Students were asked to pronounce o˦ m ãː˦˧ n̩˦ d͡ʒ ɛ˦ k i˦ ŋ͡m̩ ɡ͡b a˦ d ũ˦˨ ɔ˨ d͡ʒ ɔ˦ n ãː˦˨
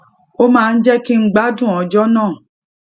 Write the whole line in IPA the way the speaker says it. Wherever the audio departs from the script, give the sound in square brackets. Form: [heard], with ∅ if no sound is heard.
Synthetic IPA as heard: o˦ m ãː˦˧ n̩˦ d͡ʒ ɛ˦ k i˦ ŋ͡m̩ ɡ͡b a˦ d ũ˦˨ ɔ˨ d͡ʒ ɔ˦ n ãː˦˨